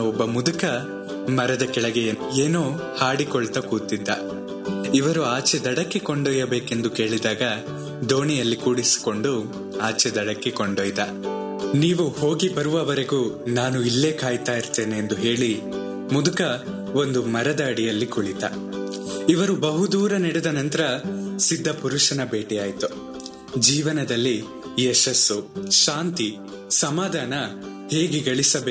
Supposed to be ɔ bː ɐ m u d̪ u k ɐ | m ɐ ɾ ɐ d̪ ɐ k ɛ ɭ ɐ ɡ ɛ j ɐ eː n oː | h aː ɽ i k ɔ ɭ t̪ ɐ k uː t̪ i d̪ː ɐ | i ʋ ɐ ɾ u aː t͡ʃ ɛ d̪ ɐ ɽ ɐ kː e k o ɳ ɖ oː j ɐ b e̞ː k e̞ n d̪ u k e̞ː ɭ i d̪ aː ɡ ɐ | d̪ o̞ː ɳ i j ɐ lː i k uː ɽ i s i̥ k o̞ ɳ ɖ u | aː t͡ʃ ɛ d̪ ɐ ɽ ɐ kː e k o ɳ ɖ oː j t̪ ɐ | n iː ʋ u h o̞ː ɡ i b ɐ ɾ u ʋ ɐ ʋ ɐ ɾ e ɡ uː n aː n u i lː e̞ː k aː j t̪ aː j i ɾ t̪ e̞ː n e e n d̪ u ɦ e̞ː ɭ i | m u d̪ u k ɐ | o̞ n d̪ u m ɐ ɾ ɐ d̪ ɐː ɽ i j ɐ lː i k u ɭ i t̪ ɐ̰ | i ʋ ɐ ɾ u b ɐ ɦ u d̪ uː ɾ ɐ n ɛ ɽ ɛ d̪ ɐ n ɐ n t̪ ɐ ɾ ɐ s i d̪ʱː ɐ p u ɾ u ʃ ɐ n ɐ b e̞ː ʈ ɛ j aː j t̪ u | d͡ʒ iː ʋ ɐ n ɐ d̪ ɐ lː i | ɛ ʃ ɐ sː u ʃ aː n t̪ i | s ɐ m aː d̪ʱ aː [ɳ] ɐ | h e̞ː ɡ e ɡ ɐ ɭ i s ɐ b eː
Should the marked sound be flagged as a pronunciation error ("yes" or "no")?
yes